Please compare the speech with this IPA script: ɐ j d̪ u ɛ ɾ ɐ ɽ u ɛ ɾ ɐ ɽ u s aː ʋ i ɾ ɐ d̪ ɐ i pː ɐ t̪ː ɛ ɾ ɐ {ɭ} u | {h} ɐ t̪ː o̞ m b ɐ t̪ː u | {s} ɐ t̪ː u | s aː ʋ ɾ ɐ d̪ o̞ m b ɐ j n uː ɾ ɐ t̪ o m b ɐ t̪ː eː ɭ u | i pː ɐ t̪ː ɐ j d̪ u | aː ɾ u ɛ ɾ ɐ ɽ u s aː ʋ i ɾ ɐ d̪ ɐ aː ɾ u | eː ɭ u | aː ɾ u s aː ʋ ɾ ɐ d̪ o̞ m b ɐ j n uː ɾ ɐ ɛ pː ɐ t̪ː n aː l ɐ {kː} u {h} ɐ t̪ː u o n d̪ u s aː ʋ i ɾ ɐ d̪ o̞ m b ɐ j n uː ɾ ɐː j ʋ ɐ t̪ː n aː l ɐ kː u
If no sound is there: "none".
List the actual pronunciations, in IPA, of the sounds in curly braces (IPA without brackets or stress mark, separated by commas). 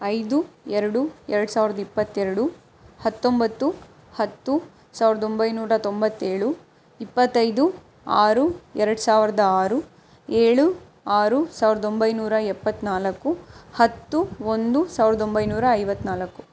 ɽ, h, h, kː, h